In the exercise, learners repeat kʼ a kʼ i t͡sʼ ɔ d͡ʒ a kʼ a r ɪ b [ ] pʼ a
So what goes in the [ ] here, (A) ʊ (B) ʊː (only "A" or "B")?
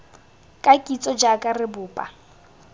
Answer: B